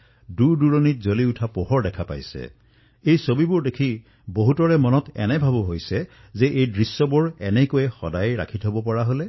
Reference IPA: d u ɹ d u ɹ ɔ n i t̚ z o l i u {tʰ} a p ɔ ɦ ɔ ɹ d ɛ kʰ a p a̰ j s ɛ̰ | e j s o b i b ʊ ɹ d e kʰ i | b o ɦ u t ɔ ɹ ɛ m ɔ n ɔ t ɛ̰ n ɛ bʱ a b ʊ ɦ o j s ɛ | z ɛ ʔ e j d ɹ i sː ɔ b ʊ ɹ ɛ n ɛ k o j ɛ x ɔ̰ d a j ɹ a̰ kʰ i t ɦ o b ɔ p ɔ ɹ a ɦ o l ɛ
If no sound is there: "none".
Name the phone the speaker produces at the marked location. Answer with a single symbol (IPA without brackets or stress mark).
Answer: tʰ